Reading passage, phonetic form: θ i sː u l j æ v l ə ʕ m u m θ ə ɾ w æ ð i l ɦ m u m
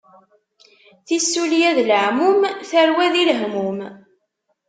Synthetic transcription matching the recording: θ i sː u l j æ ð l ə ʕ m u m θ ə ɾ w æ ð i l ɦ m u m